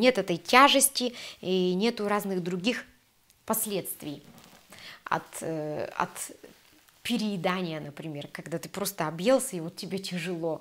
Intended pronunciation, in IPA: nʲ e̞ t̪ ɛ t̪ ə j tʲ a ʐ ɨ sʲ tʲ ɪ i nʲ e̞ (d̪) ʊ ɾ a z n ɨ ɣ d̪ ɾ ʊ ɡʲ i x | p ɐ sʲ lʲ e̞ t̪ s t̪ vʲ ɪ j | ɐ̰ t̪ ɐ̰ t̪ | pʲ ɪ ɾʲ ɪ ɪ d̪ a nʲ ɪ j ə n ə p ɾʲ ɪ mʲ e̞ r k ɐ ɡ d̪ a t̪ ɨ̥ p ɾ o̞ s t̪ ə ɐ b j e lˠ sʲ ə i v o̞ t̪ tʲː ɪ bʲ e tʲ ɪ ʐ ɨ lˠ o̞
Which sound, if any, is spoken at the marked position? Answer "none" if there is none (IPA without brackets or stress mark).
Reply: t̪